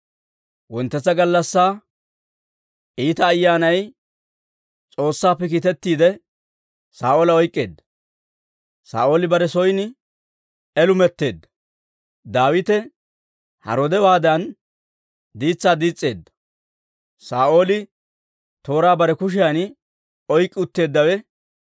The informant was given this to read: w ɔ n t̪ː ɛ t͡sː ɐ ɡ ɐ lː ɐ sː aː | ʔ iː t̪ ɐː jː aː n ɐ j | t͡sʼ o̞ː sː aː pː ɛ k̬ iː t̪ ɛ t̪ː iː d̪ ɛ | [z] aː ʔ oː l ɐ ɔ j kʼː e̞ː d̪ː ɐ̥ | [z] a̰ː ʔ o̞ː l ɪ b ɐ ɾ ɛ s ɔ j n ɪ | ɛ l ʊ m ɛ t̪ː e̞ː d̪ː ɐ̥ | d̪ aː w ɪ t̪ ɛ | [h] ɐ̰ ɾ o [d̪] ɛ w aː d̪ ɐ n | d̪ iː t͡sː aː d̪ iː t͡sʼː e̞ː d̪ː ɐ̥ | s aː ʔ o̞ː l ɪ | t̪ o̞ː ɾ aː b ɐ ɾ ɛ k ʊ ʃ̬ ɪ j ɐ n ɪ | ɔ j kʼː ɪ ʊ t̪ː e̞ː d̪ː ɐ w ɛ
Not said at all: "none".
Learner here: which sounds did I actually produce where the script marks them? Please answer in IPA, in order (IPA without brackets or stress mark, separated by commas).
s, s, h, d̪